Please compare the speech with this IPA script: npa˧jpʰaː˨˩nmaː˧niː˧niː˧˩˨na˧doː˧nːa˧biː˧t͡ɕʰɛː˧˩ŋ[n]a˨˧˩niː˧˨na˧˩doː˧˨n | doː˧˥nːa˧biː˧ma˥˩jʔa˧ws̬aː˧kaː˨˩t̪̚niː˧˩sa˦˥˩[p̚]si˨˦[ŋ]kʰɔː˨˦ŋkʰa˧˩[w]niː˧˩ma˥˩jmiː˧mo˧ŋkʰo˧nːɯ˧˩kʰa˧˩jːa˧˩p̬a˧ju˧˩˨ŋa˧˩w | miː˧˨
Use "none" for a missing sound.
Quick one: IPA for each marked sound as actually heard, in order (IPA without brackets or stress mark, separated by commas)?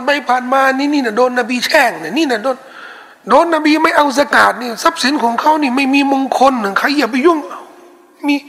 n, p̚, n, w